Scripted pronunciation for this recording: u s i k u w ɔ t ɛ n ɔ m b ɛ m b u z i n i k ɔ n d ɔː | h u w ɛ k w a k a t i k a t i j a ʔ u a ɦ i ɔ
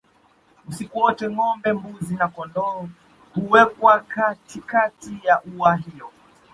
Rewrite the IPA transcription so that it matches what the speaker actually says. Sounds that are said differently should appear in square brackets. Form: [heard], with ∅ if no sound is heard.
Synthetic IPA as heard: u s i k u w ɔ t ɛ [ŋ] ɔ m b ɛ m b u z i n [a] k ɔ n d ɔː | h u w ɛ k w a k a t i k a t i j a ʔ u a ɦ i ɔ